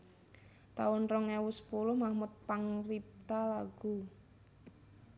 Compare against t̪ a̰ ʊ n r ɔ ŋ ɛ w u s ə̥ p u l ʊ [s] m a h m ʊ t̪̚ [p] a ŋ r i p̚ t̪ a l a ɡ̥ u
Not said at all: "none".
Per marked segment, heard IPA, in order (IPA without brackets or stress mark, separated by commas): h, p